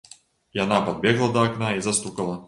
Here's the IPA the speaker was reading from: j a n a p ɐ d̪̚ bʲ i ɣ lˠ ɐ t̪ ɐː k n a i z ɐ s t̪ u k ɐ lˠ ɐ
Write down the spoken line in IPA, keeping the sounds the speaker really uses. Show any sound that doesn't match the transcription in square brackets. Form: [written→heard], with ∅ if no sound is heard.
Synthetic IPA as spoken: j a n a p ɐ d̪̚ bʲ [i→ɛ] ɣ lˠ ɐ [t̪→d̪] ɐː k n a i z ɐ s t̪ u k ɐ lˠ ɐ